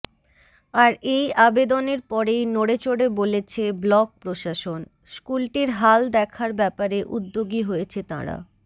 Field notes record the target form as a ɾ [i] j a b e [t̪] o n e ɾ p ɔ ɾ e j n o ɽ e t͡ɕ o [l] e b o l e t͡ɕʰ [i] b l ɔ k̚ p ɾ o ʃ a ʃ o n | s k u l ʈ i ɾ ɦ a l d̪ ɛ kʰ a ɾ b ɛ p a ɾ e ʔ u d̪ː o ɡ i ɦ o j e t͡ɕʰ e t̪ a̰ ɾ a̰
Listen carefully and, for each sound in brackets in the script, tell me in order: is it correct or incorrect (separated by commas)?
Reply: incorrect, incorrect, incorrect, incorrect